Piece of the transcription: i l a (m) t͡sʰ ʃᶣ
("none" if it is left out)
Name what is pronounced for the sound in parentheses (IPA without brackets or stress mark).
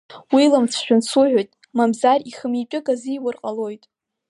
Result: m